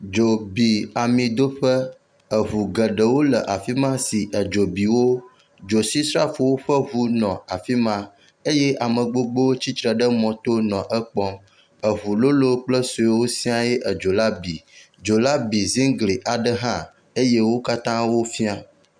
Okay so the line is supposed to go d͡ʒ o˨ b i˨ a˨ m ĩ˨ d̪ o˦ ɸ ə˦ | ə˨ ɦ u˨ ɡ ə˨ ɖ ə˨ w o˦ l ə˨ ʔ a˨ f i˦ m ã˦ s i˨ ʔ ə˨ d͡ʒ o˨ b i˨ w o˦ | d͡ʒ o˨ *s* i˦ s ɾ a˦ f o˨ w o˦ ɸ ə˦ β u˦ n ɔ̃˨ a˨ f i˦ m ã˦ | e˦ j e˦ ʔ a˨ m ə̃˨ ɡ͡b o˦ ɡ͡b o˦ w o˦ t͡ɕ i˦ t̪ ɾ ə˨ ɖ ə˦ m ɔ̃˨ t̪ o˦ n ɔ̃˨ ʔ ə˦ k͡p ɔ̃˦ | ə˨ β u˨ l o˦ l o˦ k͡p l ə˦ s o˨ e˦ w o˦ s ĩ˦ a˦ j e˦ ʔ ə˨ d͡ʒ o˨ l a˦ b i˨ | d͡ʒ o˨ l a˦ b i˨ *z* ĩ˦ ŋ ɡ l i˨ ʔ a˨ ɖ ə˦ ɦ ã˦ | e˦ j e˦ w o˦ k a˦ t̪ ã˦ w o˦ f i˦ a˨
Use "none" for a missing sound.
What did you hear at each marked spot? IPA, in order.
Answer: s, z

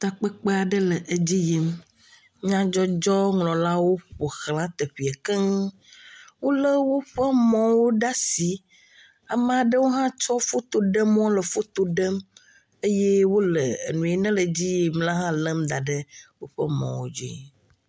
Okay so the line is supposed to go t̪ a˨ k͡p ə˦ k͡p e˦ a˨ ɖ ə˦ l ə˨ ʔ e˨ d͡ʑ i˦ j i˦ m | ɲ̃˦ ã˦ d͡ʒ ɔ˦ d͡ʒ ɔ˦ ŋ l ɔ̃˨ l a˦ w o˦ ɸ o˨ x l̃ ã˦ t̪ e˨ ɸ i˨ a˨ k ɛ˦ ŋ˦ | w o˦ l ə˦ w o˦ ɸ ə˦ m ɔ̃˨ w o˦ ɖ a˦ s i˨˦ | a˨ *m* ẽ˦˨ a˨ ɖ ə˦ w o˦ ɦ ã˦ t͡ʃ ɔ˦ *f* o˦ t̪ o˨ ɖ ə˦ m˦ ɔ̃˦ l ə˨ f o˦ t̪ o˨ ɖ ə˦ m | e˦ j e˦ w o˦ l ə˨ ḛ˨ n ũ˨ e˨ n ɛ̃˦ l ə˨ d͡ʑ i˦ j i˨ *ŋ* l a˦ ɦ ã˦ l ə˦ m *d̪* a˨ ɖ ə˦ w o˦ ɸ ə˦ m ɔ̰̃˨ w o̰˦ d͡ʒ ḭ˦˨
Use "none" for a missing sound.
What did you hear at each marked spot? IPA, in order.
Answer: m, f, m, d̪

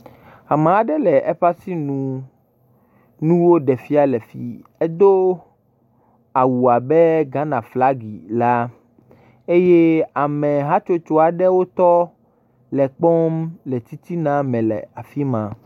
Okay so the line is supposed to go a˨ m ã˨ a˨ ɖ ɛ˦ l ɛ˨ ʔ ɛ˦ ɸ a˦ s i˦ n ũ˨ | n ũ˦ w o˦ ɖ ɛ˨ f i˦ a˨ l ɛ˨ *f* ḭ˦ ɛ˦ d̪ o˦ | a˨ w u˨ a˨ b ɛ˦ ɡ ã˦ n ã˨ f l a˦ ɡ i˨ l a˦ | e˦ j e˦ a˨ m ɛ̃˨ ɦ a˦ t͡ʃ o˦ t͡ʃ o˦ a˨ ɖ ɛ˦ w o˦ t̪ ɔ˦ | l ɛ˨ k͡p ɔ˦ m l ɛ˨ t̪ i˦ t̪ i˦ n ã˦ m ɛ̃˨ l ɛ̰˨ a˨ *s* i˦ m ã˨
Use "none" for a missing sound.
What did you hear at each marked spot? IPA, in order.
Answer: f, f

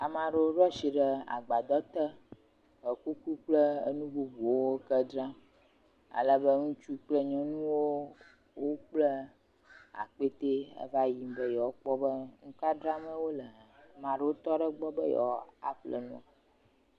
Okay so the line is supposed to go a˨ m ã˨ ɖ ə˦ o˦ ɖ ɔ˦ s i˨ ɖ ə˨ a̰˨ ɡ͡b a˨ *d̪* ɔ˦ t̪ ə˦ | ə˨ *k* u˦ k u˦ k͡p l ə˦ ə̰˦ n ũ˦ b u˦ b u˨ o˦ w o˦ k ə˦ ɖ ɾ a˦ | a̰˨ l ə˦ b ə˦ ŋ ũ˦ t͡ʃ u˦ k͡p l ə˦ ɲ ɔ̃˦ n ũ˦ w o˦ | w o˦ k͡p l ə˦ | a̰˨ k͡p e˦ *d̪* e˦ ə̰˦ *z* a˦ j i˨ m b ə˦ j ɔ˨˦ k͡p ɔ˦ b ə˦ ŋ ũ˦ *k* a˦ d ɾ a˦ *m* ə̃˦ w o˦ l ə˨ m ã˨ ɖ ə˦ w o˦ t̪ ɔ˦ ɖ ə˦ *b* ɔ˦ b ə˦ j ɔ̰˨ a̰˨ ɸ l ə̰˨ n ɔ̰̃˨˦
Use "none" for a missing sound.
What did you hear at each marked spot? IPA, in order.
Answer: d̪, k, t̪, v, k, m, ɡ͡b

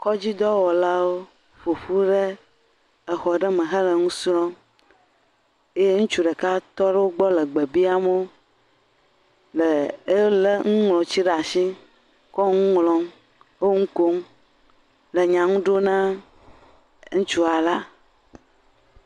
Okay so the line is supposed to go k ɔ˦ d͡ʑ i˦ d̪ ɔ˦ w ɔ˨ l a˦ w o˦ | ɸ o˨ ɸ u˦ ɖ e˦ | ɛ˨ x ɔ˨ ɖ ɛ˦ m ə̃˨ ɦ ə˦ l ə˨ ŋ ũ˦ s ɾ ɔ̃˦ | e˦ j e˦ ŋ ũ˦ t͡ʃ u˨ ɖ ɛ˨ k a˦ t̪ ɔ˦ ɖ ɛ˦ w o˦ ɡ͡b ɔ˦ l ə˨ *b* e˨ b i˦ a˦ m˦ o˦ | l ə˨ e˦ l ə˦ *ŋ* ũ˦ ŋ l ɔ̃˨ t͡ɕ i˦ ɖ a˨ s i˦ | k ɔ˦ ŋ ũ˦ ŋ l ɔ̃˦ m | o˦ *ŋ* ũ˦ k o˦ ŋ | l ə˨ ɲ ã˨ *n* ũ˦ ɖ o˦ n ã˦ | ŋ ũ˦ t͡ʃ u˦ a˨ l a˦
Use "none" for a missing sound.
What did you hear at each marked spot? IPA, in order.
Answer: ɡ͡b, ŋ, ŋ, ŋ

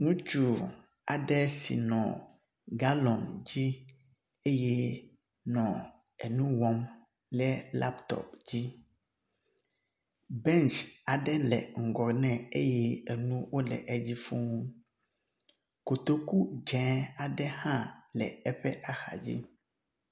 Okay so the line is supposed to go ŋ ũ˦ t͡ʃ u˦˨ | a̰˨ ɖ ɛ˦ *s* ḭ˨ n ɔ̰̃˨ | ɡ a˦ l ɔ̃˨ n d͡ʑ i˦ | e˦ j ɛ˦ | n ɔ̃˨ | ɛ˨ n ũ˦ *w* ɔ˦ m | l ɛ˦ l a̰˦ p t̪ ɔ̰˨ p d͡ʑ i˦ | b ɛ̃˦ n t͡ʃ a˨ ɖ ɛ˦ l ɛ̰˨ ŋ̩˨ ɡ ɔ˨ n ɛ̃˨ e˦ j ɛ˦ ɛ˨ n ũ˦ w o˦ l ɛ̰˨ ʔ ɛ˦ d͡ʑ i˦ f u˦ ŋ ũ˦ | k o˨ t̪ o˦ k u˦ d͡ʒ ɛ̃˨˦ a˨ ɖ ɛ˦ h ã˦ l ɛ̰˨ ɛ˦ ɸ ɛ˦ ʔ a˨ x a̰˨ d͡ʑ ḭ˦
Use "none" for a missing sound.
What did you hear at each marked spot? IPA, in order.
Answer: s, w

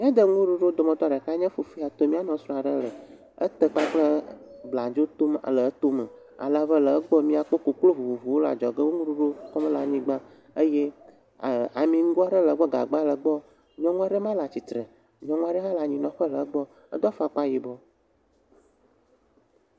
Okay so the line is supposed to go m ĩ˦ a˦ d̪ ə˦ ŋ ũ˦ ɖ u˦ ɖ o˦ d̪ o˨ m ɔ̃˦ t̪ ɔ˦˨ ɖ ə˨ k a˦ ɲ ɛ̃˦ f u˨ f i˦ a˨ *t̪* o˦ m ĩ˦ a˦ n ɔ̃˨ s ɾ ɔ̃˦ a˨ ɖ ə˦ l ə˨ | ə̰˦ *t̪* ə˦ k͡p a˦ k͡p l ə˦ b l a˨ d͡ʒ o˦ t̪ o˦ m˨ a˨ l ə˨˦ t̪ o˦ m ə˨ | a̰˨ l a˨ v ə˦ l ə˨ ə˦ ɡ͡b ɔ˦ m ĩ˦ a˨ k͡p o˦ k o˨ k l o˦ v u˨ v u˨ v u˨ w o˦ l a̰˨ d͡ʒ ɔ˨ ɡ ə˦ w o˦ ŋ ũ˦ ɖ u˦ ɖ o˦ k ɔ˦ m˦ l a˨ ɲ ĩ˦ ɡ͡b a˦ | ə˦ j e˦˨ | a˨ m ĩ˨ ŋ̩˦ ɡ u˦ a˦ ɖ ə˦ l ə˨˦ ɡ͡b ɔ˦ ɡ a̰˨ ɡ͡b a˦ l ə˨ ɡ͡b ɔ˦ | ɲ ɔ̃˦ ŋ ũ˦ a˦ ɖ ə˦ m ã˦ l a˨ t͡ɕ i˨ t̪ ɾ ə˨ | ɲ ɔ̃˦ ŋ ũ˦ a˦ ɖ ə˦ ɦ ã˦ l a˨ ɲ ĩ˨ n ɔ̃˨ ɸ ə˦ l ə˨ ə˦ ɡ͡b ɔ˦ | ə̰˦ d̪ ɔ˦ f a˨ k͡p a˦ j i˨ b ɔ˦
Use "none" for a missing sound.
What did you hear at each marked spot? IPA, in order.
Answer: t̪, t̪

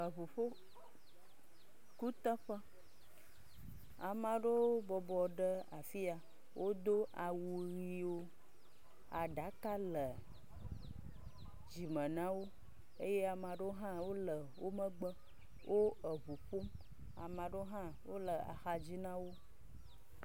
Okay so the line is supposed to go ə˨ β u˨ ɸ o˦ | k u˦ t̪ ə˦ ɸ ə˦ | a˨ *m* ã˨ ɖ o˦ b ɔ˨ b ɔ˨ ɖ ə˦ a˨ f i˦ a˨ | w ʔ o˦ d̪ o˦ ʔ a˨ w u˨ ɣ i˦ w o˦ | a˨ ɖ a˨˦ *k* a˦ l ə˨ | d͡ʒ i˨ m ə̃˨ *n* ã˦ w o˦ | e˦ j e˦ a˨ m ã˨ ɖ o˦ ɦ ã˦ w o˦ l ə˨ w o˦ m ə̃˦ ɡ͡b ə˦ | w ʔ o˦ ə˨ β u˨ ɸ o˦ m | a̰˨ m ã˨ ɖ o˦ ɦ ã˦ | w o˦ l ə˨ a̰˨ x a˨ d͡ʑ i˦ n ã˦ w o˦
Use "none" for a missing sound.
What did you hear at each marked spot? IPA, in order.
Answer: m, k, n

